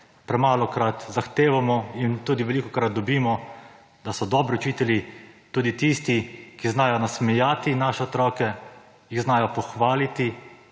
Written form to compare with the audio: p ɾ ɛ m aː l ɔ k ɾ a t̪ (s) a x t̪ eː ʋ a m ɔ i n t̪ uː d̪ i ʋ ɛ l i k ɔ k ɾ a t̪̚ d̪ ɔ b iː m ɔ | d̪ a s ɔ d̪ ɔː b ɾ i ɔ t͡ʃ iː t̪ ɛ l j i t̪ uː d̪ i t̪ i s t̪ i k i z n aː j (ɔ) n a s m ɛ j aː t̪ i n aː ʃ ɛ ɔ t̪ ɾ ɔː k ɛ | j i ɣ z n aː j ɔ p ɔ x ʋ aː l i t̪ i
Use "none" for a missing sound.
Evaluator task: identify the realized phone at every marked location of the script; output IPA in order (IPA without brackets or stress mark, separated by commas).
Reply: z, ɔ